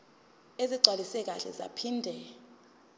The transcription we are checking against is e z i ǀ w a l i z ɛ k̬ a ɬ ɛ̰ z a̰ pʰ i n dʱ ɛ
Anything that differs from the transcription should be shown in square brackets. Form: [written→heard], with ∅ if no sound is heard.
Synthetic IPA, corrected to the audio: e z i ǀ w a l i [z→s] ɛ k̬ a ɬ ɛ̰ z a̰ pʰ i n dʱ ɛ